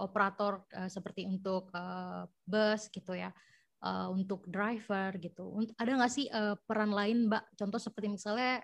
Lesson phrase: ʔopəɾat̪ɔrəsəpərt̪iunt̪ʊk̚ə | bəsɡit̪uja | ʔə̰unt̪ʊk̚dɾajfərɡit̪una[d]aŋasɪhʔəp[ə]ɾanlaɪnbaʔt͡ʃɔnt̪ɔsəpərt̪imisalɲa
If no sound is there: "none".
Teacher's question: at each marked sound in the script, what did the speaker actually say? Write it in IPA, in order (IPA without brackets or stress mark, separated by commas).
d, ə